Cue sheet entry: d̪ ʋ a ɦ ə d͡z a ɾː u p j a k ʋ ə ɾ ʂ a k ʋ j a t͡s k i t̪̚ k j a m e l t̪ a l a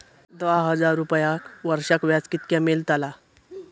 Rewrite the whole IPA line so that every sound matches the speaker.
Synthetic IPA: d̪ ʋ a ɦ ə d͡z a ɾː u p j a k ʋ ə ɾ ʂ a k ʋ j a t͡s k i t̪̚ k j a m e l t̪ a l a

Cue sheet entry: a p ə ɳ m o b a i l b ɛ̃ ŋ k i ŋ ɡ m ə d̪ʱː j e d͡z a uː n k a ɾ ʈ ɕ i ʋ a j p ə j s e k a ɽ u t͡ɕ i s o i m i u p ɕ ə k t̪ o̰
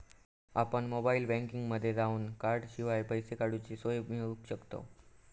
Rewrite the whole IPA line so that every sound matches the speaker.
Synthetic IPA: a p ə ɳ m o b a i l b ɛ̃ ŋ k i ŋ ɡ m ə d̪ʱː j e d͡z a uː n k a ɾ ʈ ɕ i ʋ a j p ə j s e k a ɽ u t͡ɕ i s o j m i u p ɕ ə k t̪ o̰

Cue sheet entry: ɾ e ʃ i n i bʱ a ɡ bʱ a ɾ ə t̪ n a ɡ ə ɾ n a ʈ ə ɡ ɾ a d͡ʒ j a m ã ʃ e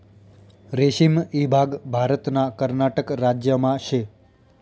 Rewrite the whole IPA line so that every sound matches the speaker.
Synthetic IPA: ɾ e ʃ i m i bʱ a ɡ bʱ a ɾ ə t̪ n a k ə ɾ n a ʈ ə k ɾ a d͡ʒ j ə m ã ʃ e

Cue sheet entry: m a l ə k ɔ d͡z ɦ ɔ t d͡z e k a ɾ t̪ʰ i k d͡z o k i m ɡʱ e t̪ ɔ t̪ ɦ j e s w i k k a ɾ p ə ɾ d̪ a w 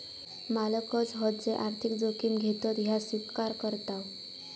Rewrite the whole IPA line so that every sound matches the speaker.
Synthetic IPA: m a l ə k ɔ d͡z ɦ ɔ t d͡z e ʔ a ɾ t̪ʰ i k d͡z o k i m ɡʱ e t̪ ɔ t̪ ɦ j a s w i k k a ɾ k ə ɾ t̪ a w

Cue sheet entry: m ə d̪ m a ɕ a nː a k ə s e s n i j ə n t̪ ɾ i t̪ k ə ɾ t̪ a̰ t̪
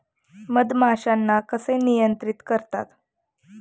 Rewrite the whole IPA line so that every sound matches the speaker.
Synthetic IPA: m ə d̪ m a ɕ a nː a k ə s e n i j ə n t̪ ɾ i t̪ k ə ɾ t̪ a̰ t̪

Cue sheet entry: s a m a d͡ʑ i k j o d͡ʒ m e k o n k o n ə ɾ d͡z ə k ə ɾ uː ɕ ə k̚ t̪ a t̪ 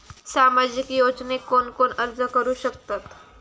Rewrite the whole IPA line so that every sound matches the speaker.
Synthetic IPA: s a m a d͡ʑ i k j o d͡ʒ n e k o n k o n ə ɾ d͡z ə k ə ɾ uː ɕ ə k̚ t̪ a t̪

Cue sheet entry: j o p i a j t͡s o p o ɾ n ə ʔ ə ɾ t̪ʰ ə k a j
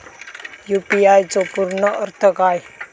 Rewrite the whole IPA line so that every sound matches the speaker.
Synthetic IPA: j u p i a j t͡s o p u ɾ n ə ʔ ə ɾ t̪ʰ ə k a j

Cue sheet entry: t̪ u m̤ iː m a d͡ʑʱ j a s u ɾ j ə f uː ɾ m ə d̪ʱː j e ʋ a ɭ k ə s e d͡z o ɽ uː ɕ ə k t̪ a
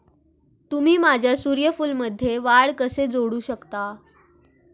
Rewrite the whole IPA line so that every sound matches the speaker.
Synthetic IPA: t̪ u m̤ iː m a d͡ʑʱ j a s u ɾ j ə f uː l m ə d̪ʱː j e ʋ a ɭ k ə s e d͡z o ɽ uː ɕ ə k t̪ a

